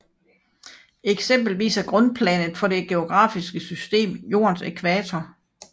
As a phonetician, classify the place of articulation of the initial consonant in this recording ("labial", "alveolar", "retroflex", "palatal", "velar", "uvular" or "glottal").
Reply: velar